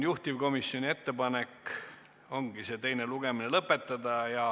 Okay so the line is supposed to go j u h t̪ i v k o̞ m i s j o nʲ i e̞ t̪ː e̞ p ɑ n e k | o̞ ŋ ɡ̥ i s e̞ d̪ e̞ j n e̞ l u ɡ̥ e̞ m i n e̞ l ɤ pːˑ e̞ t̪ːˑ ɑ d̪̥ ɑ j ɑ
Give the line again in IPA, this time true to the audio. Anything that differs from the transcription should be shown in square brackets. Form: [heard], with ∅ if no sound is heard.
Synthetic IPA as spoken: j u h t̪ i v k o̞ m i s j o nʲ i e̞ t̪ː e̞ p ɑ n e k | o̞ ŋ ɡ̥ i s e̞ [t̪] e̞ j n e̞ l u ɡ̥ e̞ m i n e̞ l ɤ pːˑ e̞ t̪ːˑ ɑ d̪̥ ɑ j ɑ